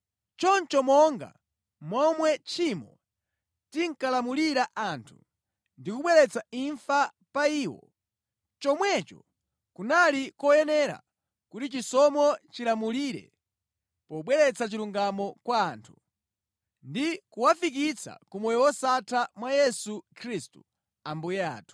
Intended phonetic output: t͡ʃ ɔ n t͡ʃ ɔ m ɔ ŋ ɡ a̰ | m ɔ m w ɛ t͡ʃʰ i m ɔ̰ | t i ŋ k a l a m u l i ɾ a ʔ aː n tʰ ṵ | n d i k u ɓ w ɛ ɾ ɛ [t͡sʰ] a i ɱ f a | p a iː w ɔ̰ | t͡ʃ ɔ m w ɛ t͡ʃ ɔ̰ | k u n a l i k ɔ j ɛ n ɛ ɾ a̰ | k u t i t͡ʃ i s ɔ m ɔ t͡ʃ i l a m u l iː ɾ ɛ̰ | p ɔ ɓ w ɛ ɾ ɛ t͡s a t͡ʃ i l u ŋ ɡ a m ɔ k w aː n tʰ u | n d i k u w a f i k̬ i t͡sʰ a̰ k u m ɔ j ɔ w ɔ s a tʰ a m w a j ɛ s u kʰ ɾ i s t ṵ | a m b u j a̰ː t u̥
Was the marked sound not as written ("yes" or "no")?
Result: yes